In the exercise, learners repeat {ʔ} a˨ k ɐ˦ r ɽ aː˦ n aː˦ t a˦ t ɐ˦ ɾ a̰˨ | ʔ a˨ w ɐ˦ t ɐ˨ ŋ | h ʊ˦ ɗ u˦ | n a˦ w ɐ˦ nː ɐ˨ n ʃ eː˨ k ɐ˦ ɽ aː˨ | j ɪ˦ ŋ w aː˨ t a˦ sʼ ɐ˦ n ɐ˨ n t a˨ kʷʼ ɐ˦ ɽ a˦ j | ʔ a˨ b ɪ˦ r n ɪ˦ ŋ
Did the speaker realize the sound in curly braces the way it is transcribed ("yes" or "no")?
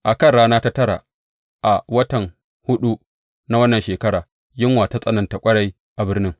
yes